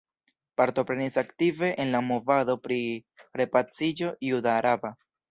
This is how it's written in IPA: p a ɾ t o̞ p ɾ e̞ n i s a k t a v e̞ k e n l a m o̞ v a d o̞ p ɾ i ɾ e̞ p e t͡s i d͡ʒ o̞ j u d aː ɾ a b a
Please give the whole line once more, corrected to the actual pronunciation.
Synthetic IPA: p a ɾ t o̞ p ɾ e̞ n i s a k t i v e̞ ʔ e n l a m o̞ v a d o̞ p ɾ i ɾ e̞ p a t͡s i d͡ʒ o̞ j u d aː ɾ a b a